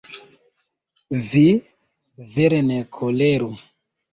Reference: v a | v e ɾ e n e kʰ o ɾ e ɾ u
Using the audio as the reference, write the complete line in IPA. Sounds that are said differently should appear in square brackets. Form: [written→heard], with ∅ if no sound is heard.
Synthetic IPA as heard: v [a→i] | v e ɾ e n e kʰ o [ɾ→l] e ɾ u